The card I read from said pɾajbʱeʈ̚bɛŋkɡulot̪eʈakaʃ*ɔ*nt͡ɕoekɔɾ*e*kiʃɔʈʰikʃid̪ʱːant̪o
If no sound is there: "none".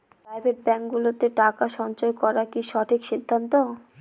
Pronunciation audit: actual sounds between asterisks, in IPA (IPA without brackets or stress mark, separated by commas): ɔ, a